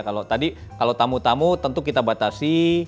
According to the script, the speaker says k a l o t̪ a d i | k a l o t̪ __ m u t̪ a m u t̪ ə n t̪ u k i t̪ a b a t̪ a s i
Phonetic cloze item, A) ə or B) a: B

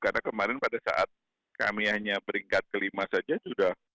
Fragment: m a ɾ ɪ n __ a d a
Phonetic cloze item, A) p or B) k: A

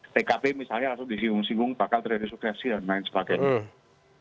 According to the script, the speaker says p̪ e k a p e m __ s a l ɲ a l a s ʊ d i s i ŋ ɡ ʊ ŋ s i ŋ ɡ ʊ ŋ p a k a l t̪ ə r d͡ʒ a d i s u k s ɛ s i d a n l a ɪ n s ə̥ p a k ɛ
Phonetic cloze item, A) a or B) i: B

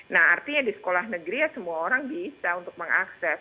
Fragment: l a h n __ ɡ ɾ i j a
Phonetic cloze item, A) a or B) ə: B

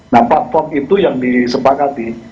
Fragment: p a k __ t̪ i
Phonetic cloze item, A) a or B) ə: A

